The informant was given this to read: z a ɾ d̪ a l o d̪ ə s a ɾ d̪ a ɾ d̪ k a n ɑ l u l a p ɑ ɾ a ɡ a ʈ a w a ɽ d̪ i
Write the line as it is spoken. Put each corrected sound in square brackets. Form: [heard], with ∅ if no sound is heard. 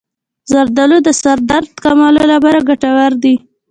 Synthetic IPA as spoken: z a ɾ d̪ a l o d̪ ə s a ɾ d̪ a ɾ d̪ k a [m] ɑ l [o] l a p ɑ ɾ a ɡ a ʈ a w a [ɾ] d̪ i